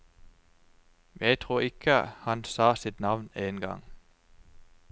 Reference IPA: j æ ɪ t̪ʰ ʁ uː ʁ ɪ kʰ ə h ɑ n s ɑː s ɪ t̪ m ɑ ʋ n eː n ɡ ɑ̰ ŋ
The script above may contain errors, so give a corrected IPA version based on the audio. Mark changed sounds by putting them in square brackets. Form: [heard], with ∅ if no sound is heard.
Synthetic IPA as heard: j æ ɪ t̪ʰ ʁ uː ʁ ɪ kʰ ə h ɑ n s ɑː s ɪ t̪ [n] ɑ ʋ n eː n ɡ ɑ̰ ŋ